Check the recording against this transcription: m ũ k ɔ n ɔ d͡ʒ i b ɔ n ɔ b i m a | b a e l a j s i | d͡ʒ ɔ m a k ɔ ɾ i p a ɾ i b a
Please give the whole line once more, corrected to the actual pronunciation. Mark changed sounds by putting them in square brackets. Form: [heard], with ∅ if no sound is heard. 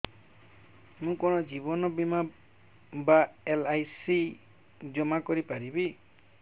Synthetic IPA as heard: m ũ k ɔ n ɔ d͡ʒ i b ɔ n ɔ b i m a | b a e l a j s i | d͡ʒ ɔ m a k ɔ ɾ i p a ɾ i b [i]